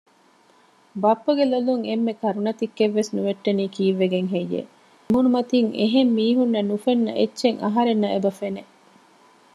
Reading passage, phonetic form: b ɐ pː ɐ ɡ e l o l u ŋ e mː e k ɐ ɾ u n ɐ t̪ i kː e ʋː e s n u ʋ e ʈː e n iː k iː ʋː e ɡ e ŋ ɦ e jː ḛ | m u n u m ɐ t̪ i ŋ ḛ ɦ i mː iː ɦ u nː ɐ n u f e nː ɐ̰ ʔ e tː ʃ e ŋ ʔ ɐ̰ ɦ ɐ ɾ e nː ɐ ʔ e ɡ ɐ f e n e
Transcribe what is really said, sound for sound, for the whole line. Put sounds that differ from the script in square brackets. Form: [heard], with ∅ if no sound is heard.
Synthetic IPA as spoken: b ɐ pː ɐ ɡ e l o l u ŋ e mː e k ɐ ɾ u n ɐ t̪ i kː e ʋː e s n u ʋ e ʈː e n iː k iː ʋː e ɡ e ŋ ɦ e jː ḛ | m u n u m ɐ t̪ i ŋ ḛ ɦ [e] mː iː ɦ u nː ɐ n u f e nː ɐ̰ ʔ e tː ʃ e ŋ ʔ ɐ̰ ɦ ɐ ɾ e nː ɐ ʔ e [b] ɐ f e n e